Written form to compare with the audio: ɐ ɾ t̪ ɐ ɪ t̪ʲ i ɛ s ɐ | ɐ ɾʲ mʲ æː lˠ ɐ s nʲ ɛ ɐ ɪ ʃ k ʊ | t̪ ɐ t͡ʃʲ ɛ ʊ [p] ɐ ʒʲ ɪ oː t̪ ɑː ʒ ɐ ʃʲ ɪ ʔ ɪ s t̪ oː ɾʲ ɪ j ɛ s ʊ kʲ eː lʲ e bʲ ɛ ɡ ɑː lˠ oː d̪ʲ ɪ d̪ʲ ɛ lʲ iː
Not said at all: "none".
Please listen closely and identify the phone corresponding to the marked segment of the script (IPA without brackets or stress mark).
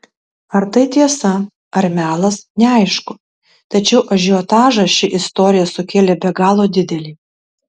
ʔ